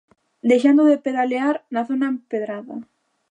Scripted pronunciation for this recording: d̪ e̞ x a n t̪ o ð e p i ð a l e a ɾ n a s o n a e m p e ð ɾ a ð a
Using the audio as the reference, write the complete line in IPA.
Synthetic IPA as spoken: d̪ e̞ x a n d̪ o ð e p e ð a l e a ɾ n a θ o n a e m p e ð ɾ a ð a